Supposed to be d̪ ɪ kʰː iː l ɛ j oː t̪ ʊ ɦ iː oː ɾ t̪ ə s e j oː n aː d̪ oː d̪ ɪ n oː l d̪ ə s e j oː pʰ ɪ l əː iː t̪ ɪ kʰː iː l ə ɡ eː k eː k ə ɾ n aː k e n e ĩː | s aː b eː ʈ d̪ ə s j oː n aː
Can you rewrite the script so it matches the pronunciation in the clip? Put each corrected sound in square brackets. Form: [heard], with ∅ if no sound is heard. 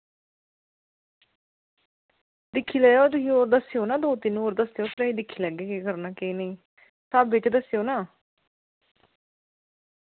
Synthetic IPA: d̪ ɪ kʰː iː l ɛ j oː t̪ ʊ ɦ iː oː ɾ [d̪] ə s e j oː n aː d̪ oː [t̪] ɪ n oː [ɾ] d̪ ə s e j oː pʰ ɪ [ɾ] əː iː [d̪] ɪ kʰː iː l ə ɡ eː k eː k ə ɾ n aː k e n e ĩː | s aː b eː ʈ d̪ ə s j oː n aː